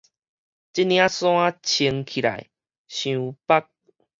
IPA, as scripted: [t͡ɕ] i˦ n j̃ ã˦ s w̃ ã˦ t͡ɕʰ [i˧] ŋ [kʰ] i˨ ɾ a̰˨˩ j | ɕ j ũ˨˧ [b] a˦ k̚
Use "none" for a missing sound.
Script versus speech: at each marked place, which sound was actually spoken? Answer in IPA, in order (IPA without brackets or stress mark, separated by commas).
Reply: t͡ɕ, i˧, kʰ, p